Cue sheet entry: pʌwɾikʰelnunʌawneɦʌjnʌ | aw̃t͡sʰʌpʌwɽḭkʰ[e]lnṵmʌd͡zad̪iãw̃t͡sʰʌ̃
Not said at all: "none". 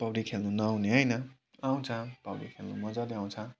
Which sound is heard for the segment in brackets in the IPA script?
e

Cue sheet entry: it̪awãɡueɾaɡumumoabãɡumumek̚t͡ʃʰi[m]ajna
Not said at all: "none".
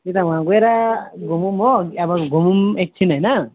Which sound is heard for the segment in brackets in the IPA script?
n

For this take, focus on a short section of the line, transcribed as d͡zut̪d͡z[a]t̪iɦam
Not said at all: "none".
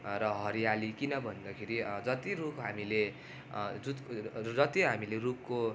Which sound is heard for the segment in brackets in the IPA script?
ʌ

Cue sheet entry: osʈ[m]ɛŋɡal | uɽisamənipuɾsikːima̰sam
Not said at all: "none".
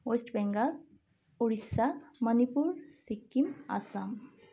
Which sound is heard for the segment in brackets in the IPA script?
b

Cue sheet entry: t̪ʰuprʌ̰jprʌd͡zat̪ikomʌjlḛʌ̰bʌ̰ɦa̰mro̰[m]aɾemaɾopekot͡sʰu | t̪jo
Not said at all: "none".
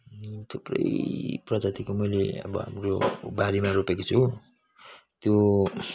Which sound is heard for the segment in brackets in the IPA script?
b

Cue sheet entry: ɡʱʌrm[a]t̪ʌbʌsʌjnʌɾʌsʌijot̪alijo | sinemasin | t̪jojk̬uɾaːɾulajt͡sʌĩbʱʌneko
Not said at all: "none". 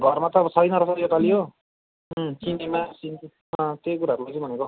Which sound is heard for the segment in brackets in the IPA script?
a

